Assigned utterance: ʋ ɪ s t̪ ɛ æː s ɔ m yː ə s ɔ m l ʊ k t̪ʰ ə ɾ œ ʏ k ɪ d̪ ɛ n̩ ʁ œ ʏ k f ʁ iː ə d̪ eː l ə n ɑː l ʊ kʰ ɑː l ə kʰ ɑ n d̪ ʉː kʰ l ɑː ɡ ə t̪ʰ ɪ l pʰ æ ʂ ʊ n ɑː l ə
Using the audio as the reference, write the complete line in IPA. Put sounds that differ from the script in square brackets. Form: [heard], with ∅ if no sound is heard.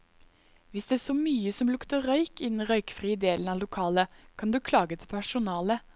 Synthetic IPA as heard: ʋ ɪ s [d̪] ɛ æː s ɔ m yː ə s ɔ m l ʊ k [t̪] ə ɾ œ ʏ k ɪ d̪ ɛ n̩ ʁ œ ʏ k f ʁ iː ə d̪ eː l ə n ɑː l ʊ kʰ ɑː l ə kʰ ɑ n d̪ ʉː kʰ l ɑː ɡ ə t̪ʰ ɪ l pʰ æ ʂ ʊ n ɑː l ə